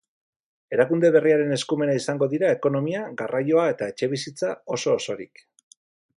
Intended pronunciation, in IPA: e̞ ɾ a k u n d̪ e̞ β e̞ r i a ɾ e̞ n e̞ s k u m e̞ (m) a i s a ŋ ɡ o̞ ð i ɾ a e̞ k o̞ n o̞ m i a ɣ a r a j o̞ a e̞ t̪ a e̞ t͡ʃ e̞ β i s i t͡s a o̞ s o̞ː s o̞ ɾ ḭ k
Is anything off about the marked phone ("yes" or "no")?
yes